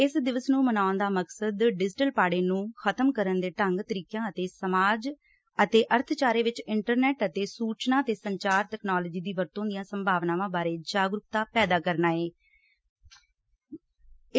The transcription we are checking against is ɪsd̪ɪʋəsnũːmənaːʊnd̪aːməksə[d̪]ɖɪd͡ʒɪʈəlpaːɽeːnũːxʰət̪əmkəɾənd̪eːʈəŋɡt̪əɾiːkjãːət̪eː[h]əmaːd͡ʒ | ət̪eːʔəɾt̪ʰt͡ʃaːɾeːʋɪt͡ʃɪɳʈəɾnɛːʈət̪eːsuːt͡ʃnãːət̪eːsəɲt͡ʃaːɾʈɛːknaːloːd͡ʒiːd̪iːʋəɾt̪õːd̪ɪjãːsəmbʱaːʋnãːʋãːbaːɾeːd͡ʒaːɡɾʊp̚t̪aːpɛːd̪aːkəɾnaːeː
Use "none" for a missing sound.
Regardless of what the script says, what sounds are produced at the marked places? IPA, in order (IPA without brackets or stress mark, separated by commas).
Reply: d̪, s